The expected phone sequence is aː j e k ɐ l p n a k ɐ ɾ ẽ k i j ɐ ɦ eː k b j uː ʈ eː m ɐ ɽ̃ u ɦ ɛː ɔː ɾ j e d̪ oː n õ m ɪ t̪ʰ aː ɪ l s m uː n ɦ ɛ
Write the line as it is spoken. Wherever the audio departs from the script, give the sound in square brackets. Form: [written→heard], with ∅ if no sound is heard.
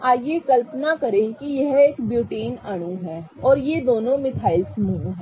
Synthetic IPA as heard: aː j e k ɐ l p n a k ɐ ɾ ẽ k i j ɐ ɦ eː k b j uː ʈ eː [m→n] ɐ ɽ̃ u ɦ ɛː ɔː ɾ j e d̪ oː n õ m ɪ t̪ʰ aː ɪ l s m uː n ɦ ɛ